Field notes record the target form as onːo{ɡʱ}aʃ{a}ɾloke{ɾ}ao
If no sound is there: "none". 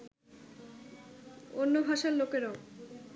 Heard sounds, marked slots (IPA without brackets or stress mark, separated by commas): bʱ, a, ɾ